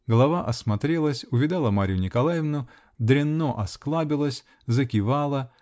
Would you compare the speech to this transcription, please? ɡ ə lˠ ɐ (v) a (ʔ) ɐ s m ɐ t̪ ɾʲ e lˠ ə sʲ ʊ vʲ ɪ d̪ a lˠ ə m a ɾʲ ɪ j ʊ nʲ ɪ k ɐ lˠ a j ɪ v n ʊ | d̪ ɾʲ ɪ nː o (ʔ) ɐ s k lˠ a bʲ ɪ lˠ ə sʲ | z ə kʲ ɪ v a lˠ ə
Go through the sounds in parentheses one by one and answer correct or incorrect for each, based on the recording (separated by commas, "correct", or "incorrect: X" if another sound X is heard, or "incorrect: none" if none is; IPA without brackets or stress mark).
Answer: correct, correct, correct